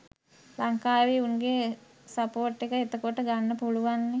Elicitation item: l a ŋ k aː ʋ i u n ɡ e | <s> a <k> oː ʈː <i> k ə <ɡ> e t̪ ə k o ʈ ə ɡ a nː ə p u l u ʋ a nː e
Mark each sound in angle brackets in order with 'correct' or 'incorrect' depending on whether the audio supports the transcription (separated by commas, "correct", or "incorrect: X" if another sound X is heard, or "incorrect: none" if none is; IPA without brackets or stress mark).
correct, incorrect: p, incorrect: e, incorrect: none